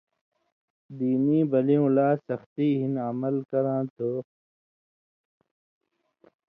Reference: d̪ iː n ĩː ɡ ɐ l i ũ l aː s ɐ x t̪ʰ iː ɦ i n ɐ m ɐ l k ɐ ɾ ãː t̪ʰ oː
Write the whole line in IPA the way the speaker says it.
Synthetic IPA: d̪ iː n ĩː b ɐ l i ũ l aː s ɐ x t̪ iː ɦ i n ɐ m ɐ l k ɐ ɾ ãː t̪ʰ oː